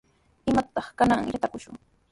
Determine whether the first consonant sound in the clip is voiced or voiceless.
voiced